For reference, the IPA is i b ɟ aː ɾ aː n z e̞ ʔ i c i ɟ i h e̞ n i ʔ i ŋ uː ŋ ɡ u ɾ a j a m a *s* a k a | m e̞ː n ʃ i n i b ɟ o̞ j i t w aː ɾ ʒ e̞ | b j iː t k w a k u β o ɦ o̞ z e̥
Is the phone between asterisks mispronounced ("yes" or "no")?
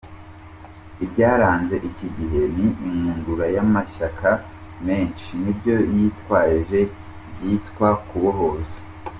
yes